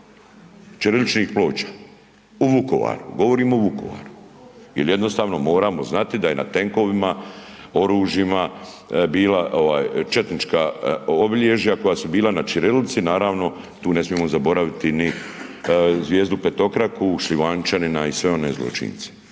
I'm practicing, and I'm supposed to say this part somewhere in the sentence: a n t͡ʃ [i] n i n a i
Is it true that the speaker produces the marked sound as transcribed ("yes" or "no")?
no